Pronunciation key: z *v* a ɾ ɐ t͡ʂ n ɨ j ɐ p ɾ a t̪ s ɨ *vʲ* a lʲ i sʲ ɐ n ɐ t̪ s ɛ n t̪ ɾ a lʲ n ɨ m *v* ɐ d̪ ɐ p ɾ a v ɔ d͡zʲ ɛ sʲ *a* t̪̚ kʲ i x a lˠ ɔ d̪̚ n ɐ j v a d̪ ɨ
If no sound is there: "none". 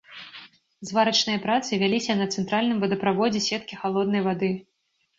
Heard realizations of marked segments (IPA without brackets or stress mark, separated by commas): v, vʲ, v, ɛ